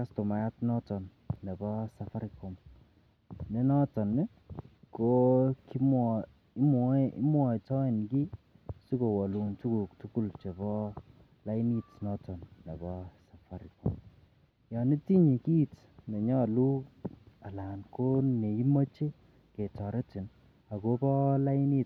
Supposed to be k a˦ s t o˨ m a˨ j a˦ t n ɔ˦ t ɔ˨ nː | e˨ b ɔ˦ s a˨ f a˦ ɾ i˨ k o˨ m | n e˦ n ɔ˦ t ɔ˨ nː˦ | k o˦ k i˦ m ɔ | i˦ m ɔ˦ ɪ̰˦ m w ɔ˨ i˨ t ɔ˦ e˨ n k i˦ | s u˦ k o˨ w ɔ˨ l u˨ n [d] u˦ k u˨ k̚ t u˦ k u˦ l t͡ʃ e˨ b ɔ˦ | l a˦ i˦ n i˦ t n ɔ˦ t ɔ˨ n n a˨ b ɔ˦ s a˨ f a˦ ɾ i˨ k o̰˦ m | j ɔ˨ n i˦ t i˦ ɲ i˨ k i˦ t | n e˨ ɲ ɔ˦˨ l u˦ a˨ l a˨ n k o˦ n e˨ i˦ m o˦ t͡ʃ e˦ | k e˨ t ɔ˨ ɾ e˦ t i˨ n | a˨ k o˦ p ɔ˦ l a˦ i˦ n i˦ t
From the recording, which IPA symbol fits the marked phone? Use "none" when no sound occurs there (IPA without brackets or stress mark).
t